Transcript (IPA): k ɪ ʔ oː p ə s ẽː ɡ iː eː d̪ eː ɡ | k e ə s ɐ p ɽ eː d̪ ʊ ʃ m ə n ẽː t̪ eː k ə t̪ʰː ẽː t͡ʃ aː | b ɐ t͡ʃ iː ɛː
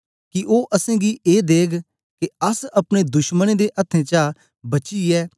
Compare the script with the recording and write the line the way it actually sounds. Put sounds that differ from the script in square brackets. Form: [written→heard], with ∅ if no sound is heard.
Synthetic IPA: k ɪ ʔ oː [p→ʔ] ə s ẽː ɡ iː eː d̪ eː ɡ | k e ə s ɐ p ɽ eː d̪ ʊ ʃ m ə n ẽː [t̪→d̪] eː [k→ʔ] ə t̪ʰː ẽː t͡ʃ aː | b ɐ t͡ʃ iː ɛː